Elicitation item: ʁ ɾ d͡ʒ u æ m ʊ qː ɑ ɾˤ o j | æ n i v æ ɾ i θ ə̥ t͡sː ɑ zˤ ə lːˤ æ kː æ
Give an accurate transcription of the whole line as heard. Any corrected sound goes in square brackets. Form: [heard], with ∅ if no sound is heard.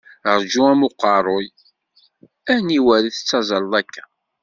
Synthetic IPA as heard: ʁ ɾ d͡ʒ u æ m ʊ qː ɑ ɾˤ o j | æ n i [w] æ ɾ i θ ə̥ t͡sː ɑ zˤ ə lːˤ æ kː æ